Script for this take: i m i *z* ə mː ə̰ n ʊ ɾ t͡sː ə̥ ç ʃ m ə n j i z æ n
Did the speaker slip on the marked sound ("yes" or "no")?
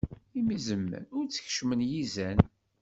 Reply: no